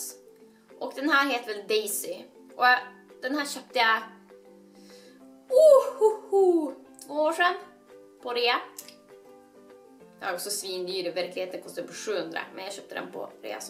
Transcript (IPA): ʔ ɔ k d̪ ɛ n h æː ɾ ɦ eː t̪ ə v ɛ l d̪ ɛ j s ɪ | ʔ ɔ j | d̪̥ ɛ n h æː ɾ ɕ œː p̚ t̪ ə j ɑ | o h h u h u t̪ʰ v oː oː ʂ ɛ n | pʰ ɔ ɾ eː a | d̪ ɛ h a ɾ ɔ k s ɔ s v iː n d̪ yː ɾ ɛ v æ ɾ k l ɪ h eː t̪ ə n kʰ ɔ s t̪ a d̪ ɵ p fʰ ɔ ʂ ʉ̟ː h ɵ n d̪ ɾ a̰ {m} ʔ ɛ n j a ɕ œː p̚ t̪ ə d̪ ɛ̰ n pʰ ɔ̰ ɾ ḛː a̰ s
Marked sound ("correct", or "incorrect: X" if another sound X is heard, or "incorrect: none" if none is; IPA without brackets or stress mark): correct